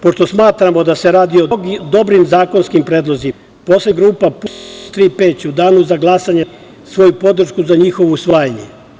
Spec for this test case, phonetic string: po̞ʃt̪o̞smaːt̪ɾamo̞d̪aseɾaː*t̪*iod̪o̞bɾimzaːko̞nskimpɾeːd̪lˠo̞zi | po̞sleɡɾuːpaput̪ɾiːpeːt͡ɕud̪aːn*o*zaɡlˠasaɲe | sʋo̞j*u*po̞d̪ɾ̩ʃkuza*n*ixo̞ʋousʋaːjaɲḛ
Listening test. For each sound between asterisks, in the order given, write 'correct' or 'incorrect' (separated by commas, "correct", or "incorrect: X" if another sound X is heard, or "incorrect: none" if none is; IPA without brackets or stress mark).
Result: incorrect: d̪, incorrect: u, correct, incorrect: ɲ